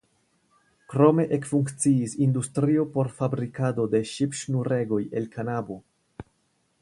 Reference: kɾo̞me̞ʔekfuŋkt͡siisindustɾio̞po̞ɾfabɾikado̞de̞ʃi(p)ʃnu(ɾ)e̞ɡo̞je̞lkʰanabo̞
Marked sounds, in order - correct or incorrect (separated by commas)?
correct, correct